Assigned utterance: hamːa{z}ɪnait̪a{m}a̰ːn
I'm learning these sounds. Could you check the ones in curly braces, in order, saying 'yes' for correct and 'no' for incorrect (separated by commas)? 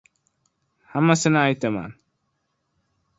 no, yes